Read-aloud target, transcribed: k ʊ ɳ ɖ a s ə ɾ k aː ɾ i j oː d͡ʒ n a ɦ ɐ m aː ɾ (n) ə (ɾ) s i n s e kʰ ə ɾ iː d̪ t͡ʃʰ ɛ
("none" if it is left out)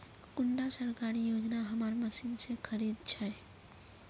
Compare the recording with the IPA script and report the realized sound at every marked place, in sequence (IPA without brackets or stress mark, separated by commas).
m, none